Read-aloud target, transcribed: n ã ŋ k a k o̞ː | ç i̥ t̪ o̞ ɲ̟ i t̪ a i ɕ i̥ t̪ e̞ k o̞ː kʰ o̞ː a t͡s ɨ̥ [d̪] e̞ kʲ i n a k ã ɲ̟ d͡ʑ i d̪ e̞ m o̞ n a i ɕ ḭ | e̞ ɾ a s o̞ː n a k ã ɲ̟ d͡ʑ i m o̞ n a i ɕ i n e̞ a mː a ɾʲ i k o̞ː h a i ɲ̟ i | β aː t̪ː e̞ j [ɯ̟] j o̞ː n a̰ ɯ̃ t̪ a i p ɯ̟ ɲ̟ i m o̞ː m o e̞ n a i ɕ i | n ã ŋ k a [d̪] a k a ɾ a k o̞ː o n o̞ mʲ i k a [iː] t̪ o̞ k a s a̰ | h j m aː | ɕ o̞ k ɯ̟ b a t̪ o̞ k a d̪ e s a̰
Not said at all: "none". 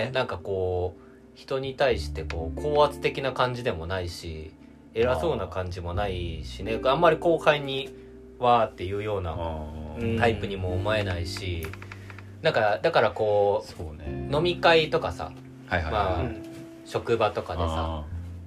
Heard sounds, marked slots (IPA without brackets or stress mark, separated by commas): t̪, ɯ̟ː, d̪, i